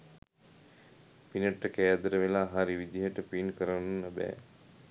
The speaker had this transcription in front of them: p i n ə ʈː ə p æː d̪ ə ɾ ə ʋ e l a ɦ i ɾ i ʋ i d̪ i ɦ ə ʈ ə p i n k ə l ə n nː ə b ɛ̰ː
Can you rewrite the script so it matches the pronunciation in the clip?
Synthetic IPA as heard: p i n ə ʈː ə k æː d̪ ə ɾ ə ʋ e l a ɦ a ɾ i ʋ i d̪ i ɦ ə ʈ ə p i n k ə ɾ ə n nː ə b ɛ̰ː